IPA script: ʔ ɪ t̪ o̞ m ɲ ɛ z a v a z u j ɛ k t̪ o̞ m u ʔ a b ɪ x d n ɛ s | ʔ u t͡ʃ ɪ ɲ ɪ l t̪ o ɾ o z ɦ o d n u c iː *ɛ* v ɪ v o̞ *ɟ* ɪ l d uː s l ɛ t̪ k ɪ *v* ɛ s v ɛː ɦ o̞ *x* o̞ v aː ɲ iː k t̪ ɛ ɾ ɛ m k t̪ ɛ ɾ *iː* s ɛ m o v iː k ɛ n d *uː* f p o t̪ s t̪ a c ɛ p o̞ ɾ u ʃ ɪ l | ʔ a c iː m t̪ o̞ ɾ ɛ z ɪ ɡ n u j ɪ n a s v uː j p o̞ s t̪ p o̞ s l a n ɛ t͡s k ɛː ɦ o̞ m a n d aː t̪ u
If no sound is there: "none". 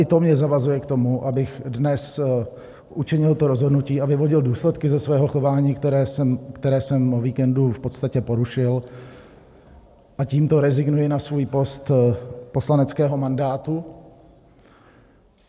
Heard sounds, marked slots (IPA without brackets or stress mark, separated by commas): a, ɟ, z, x, ɛː, u